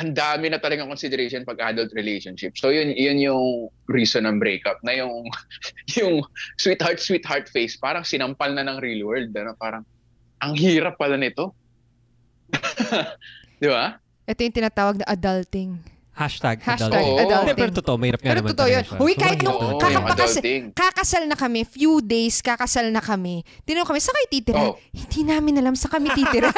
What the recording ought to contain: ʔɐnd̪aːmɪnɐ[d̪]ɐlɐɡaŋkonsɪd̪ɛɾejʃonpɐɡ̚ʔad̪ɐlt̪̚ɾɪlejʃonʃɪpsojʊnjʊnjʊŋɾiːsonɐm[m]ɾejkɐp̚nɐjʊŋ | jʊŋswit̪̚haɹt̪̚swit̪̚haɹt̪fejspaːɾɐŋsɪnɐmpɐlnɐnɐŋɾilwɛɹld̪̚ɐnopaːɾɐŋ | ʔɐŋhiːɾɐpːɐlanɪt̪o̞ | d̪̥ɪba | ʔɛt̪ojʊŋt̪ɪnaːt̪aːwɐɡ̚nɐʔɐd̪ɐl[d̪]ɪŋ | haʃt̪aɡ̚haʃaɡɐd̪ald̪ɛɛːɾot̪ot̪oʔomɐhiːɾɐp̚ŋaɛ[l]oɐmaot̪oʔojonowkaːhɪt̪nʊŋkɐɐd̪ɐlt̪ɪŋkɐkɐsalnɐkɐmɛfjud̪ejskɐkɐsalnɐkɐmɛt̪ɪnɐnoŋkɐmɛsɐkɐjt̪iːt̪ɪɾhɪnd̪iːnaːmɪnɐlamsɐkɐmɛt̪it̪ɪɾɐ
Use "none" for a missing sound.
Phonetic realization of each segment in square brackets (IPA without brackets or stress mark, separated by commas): t̪, b, t̪, ɾ